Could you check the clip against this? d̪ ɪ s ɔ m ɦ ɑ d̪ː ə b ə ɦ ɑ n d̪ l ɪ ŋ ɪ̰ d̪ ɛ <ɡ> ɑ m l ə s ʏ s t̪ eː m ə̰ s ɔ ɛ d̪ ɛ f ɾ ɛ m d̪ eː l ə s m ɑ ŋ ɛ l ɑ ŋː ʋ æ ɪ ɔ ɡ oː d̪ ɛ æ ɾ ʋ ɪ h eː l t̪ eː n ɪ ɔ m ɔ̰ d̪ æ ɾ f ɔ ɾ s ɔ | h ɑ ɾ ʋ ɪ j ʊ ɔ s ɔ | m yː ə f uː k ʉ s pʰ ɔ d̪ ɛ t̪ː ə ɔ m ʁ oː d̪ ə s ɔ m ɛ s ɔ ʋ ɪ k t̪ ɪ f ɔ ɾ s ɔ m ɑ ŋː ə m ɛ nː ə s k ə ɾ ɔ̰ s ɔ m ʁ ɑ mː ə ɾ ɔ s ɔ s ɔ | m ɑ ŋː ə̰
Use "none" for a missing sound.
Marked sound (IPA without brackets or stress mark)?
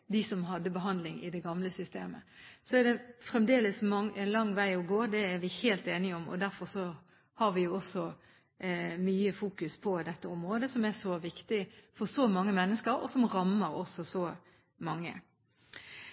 ɡ